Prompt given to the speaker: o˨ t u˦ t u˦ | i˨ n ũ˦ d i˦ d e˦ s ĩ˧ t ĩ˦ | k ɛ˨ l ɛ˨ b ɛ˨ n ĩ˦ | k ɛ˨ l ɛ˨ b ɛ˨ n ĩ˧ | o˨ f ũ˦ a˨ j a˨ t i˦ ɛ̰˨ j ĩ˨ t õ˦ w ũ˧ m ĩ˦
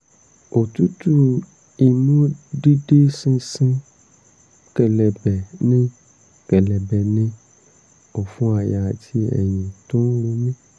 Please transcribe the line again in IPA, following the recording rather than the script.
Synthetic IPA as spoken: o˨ t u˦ t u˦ | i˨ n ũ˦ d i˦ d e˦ s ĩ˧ s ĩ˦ | k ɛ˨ l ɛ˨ b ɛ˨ n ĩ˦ | k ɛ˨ l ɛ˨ b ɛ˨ n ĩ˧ | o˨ f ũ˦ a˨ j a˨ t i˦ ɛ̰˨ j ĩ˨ t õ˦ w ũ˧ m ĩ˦